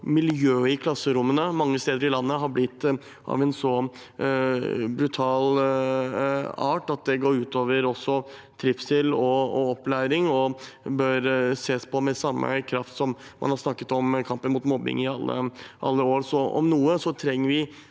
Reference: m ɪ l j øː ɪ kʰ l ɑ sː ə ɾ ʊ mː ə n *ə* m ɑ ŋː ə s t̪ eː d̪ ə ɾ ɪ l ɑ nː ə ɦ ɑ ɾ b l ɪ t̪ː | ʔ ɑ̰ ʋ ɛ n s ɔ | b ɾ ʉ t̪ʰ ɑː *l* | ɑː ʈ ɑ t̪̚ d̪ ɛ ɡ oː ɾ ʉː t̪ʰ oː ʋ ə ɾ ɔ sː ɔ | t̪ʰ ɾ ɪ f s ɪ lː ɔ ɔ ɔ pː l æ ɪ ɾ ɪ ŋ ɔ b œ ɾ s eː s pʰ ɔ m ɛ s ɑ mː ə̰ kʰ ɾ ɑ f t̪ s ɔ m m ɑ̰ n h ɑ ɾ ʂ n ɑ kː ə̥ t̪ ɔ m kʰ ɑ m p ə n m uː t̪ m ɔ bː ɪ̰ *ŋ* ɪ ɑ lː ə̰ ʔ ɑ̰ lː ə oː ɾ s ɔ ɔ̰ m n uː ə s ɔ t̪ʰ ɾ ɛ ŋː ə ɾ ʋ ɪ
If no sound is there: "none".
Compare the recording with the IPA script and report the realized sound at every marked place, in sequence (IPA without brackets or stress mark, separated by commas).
ə, l, ŋ